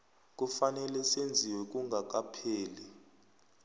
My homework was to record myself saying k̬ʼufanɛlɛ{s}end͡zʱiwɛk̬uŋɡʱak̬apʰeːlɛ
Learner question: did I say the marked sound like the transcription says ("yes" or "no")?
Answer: yes